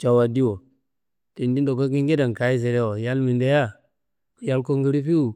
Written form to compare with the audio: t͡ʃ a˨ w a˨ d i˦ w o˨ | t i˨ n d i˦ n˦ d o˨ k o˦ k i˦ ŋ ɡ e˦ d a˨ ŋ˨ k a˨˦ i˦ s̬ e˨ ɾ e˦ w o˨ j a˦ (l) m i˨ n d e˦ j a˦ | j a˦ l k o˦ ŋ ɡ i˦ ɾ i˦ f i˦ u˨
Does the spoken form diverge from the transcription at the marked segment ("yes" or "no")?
no